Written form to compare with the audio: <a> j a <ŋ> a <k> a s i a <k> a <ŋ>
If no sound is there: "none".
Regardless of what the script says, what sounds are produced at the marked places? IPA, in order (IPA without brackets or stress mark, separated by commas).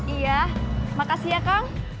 i, m, k, k, ŋ